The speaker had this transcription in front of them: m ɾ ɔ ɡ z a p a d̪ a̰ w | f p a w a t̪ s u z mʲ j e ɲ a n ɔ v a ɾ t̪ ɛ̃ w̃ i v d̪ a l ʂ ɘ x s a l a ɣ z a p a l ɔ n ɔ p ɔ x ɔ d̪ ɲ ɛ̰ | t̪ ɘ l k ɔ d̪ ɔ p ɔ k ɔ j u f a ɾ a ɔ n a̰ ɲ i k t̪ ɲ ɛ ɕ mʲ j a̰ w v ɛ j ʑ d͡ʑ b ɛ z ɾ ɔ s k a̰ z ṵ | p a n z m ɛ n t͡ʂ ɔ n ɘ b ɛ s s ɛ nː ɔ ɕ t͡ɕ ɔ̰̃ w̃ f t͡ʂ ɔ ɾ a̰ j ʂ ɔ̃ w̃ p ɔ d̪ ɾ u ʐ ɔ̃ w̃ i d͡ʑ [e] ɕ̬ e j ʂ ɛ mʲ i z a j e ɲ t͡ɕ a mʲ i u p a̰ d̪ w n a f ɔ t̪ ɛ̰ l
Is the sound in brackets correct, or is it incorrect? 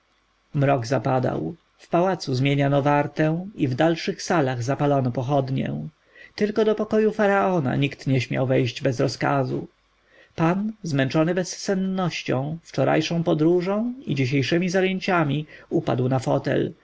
incorrect: i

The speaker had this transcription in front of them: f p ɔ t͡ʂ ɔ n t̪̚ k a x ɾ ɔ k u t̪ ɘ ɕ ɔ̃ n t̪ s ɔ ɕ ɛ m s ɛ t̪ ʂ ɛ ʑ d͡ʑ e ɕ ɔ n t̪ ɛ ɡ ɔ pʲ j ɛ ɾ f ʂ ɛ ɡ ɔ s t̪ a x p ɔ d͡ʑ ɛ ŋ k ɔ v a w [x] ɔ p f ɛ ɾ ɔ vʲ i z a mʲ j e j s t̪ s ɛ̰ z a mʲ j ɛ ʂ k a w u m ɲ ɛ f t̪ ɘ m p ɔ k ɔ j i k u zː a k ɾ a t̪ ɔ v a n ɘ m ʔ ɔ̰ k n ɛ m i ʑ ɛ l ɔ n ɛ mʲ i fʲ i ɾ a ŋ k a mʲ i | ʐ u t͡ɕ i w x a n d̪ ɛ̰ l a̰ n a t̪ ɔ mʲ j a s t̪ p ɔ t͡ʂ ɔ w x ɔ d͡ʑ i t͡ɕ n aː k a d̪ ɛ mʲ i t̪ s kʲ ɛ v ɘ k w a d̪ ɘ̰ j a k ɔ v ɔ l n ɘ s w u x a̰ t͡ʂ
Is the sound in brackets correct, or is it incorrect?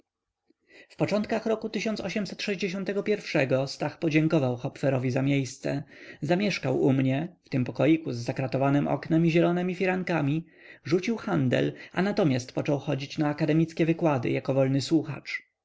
correct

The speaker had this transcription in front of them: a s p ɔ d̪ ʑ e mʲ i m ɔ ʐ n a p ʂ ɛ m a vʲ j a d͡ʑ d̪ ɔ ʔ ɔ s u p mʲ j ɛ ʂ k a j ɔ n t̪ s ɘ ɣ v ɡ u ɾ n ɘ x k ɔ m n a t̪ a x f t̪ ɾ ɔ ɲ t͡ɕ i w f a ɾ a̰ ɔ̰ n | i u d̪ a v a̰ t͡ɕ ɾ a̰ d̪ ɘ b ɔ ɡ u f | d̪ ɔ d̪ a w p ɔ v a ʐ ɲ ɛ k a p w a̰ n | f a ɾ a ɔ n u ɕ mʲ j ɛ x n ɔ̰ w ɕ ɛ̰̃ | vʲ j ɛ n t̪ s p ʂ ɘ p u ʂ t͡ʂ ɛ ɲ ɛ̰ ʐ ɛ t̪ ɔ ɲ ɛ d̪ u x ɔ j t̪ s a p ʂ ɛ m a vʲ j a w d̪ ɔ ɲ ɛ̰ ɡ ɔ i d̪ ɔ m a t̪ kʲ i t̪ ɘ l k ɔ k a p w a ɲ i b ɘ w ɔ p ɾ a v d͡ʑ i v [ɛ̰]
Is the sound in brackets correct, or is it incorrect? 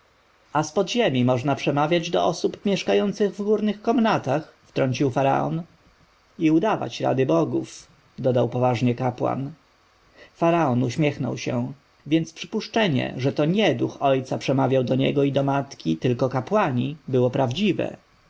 correct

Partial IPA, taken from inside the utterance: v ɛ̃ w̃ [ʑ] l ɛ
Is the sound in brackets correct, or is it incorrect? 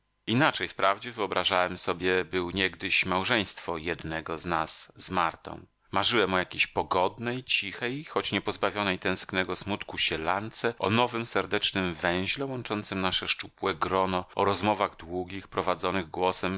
correct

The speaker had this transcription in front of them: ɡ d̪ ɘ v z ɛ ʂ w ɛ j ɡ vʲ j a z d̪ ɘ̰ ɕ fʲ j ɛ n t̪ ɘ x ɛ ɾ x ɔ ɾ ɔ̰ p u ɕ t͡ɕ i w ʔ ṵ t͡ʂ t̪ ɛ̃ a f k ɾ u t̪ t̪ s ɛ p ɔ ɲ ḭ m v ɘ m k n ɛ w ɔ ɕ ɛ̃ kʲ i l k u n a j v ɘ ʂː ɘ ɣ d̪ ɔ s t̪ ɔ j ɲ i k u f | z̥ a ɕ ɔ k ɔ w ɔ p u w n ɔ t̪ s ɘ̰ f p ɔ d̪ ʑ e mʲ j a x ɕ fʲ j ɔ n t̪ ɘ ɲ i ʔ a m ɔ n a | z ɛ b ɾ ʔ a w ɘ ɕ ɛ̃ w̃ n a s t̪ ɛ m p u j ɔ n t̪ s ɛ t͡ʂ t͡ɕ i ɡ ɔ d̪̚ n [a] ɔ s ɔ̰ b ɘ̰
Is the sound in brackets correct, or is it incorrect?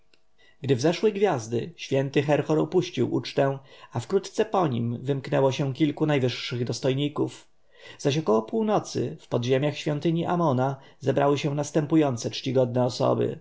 incorrect: ɛ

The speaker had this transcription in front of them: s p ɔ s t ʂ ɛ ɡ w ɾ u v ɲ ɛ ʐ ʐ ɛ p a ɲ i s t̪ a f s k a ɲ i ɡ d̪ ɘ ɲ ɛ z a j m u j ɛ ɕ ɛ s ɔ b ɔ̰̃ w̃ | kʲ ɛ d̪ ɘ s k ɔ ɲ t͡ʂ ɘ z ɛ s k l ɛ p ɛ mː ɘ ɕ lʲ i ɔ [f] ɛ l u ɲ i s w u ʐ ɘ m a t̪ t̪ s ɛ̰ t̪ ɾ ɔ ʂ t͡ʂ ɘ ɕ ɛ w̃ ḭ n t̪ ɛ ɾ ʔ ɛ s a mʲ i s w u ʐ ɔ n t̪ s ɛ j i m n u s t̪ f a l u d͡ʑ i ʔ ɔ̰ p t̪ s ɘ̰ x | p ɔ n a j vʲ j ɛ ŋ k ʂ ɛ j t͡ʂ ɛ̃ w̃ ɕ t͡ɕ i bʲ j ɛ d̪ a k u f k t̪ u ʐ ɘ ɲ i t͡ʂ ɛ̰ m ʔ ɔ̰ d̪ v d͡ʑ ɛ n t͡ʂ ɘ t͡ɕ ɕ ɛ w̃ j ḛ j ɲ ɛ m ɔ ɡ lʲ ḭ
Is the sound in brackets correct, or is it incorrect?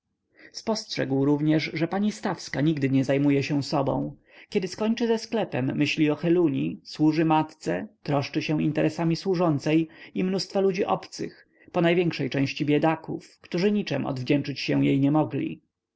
incorrect: x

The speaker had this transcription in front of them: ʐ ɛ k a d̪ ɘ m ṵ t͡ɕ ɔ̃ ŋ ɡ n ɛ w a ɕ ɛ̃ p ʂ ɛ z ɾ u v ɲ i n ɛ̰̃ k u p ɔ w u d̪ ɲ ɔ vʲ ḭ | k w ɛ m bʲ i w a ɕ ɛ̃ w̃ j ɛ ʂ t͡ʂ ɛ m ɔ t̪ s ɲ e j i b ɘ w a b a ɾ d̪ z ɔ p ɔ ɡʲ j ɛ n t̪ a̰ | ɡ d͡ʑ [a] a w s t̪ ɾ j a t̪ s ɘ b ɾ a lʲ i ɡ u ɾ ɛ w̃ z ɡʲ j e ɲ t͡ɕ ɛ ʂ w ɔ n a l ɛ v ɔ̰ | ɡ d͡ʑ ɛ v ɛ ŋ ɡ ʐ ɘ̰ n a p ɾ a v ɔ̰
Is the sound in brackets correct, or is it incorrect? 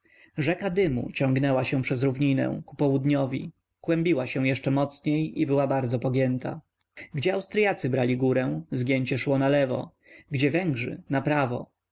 incorrect: ɛ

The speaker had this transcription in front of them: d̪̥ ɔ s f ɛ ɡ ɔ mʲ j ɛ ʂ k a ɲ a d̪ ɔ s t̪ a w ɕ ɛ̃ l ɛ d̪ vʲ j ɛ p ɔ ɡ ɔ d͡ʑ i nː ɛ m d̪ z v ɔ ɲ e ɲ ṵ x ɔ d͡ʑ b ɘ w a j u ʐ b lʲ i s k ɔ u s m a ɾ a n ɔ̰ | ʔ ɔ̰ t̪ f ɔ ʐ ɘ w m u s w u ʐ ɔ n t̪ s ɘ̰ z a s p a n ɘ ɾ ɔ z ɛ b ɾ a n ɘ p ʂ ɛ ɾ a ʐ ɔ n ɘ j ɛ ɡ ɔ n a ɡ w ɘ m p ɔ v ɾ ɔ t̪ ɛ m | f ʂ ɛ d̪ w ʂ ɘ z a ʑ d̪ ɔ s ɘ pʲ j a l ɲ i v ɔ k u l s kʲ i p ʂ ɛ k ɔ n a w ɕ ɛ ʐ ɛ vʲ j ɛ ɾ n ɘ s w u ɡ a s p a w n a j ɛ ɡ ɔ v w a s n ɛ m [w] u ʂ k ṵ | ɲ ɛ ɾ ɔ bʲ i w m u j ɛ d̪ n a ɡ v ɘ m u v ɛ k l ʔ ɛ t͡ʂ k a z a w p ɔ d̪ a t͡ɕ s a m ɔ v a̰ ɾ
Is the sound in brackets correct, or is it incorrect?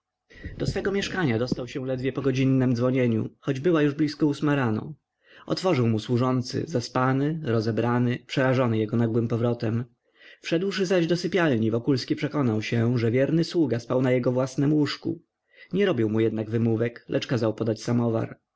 correct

